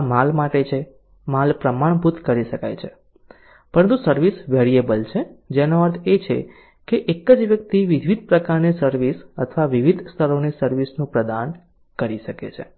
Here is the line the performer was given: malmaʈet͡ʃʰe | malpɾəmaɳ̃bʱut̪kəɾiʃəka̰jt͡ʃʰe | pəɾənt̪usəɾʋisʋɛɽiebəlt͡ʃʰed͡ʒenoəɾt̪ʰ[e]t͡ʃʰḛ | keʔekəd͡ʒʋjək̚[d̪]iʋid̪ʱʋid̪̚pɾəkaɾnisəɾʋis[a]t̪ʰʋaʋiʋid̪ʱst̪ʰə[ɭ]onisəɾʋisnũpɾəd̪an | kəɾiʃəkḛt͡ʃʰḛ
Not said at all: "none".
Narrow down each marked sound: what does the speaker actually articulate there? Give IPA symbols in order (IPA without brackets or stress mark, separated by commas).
e, t̪, ə, ɾ